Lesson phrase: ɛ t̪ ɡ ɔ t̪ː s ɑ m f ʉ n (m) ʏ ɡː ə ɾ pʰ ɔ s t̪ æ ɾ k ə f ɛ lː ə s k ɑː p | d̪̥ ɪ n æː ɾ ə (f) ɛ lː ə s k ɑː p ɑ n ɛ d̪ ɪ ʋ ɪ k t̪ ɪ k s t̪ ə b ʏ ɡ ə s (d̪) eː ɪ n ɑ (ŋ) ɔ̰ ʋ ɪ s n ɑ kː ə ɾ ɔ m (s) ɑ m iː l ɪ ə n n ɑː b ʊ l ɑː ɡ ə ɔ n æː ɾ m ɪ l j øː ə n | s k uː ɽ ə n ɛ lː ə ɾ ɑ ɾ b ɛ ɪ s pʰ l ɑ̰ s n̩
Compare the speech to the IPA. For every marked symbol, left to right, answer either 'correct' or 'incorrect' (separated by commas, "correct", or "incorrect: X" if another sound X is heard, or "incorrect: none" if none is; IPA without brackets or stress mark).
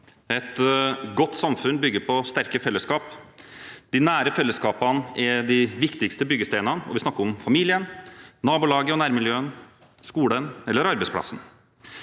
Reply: incorrect: b, correct, incorrect: t̪, incorrect: n, incorrect: f